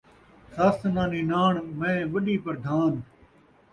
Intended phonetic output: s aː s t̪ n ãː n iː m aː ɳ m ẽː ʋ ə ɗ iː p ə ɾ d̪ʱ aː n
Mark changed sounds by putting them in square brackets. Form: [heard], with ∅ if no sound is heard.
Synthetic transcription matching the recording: s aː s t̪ n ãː n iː [n] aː ɳ m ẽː ʋ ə ɗ iː p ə ɾ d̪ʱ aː n